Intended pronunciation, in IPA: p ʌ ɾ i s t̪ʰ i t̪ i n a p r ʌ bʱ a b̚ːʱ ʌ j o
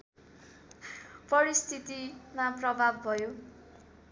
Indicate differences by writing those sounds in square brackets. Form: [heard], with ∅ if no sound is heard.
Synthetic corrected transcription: p ʌ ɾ i s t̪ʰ i t̪ i [m] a p r ʌ bʱ a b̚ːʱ ʌ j o